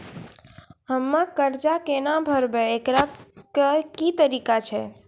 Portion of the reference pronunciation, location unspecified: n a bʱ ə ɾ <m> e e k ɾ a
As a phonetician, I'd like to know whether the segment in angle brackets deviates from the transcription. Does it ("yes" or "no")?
yes